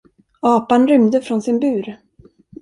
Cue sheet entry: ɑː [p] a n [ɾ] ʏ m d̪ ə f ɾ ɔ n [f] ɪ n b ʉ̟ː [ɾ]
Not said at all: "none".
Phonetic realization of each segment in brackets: p, ɾ, s, ɾ

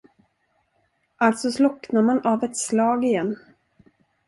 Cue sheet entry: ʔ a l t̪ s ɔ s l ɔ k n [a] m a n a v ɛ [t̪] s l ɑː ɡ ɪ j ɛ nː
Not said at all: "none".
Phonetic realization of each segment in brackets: a, t̪

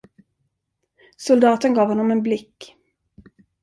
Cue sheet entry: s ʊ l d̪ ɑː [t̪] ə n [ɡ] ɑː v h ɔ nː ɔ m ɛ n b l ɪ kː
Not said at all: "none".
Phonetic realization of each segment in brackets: t̪, ɡ

